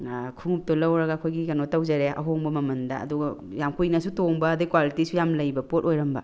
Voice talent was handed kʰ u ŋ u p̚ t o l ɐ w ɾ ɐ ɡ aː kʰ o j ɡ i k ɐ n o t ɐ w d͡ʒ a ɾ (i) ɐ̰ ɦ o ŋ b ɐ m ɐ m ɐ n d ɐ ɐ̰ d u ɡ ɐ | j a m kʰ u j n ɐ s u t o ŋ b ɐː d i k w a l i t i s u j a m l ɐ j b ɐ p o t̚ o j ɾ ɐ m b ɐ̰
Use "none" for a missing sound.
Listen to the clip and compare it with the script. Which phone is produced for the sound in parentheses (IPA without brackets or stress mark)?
e